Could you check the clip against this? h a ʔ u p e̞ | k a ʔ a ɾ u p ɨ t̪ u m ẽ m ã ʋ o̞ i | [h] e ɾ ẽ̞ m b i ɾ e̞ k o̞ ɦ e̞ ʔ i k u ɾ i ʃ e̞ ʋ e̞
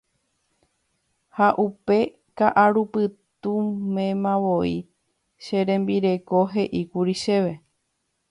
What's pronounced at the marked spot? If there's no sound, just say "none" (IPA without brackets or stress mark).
ʃ